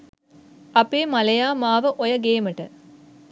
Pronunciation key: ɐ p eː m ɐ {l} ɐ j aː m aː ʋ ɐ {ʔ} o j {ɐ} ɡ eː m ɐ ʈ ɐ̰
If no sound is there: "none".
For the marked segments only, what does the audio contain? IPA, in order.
l, ʔ, ɐ

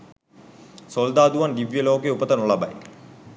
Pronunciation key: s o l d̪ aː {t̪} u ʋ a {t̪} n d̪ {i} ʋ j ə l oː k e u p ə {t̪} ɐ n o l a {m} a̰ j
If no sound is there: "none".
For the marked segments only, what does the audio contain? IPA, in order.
d̪, none, i, t̪, b

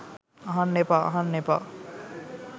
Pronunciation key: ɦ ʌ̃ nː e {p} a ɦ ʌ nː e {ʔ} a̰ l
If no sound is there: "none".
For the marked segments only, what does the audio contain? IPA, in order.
p, p

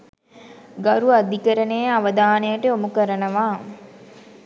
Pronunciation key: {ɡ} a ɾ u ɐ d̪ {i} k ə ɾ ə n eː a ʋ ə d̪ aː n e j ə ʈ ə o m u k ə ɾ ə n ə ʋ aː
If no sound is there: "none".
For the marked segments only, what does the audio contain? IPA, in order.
ɡ, i

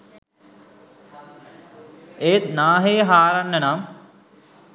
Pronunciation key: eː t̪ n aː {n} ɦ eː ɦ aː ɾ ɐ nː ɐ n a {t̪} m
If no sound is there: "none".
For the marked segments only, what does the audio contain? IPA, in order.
none, none

